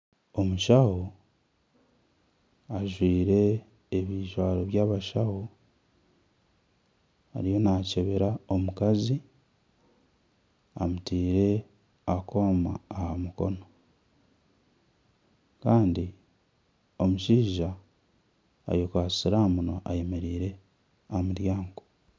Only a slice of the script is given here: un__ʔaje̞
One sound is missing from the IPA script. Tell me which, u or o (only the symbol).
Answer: o